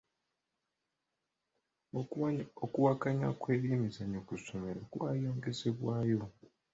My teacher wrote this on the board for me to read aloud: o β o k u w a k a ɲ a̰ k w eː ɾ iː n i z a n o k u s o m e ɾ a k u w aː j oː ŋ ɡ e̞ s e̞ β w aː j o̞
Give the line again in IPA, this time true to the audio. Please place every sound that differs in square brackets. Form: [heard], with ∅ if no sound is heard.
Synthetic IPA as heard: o [∅] o k u w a k a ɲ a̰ k w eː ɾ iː [m] i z a [ɲ] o k u s o m e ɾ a k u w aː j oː ŋ ɡ e̞ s e̞ β w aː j o̞